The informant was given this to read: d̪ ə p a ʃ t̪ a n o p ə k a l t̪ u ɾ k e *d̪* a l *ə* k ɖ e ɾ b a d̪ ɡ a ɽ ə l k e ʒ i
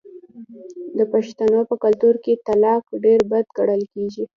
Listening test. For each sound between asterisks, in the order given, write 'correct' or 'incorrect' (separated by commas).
incorrect, incorrect